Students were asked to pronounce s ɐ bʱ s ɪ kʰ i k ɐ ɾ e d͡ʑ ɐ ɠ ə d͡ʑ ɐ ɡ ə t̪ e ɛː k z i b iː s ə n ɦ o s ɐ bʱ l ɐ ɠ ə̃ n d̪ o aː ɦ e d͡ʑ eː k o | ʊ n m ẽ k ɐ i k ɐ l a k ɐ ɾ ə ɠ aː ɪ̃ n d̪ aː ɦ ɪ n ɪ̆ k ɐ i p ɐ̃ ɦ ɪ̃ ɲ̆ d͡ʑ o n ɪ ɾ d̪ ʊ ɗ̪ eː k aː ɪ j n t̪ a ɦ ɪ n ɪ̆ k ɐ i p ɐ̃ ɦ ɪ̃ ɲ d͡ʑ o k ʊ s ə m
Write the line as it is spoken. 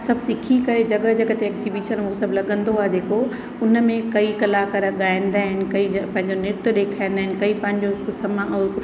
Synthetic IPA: s ɐ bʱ s ɪ kʰ i k ɐ ɾ e d͡ʑ ɐ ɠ ə d͡ʑ ɐ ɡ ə t̪ e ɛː k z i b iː ʃ ə n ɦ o s ɐ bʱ l ɐ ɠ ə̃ n d̪ o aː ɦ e d͡ʑ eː k o | ʊ n m ẽ k ɐ i k ɐ l a k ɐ ɾ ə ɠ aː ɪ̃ n d̪ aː ɦ ɪ n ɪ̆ k ɐ i p ɐ̃ ɦ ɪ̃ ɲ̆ d͡ʑ o n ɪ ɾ t̪ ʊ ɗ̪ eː kʰ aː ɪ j n d̪ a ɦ ɪ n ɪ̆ k ɐ i p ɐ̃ ɦ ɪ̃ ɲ d͡ʑ o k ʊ s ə m